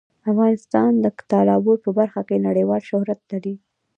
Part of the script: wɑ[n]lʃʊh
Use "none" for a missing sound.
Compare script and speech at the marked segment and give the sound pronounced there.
none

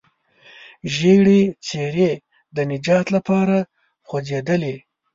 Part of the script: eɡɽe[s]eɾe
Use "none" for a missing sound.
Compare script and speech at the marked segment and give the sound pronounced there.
t͡s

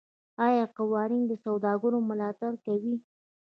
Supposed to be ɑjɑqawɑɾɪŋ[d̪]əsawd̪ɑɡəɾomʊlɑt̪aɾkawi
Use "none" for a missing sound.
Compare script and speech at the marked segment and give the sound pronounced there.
d̪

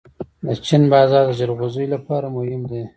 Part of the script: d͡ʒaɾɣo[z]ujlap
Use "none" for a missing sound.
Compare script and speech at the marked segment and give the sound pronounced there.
z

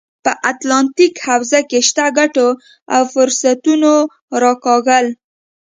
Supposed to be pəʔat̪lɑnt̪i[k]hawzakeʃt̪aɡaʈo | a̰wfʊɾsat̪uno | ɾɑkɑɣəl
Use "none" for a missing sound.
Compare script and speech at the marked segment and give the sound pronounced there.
k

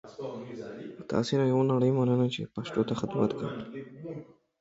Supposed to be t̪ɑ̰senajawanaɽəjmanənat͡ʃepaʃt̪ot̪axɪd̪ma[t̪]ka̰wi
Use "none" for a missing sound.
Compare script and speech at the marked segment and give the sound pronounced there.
t̪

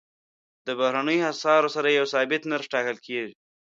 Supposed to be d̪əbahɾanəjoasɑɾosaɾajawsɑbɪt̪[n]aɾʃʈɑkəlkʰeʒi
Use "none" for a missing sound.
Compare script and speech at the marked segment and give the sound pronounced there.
n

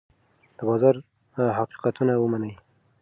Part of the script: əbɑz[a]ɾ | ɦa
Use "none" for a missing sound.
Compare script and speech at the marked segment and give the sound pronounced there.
ɑ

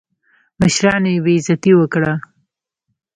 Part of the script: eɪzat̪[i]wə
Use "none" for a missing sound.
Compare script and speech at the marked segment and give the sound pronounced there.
i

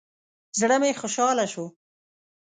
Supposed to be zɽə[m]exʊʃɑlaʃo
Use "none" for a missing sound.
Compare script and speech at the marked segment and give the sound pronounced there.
m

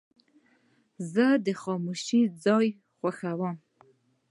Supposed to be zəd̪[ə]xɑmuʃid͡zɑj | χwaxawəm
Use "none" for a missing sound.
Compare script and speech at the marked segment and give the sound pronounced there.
ə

